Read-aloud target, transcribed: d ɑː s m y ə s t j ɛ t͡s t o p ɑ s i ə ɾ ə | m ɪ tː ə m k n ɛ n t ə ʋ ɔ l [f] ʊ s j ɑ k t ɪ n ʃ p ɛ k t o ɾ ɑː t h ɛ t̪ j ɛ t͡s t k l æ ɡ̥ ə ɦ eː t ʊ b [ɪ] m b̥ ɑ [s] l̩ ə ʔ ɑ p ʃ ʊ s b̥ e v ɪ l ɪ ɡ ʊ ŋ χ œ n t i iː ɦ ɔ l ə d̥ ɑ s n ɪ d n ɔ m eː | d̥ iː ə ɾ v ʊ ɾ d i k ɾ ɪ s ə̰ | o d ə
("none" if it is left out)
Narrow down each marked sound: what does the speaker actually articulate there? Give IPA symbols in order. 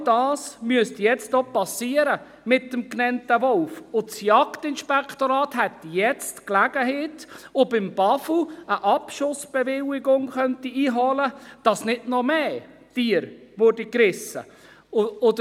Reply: f, ɪ, f

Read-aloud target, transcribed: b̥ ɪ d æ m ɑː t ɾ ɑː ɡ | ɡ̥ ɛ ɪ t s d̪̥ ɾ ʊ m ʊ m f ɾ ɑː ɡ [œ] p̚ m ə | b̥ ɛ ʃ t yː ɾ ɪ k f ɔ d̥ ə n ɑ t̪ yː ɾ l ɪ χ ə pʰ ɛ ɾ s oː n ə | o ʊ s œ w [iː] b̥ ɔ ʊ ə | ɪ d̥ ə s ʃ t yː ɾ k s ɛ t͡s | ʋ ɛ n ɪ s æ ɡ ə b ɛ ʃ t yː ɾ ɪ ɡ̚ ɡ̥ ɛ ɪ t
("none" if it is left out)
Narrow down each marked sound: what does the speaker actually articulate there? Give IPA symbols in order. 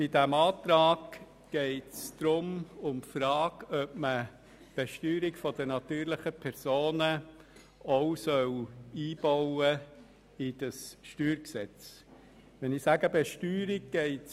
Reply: œ, iː

